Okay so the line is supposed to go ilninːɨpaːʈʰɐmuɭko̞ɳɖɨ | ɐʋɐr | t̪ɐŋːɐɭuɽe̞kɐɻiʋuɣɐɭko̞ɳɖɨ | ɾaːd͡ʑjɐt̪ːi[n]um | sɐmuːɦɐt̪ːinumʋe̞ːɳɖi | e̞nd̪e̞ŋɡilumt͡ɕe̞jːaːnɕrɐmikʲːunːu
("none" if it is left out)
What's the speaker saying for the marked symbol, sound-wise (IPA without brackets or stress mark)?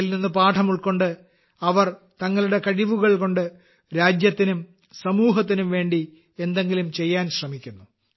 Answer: n